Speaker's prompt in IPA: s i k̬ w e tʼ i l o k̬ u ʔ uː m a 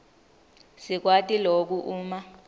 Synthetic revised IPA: s i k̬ w a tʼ i l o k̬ u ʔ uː m a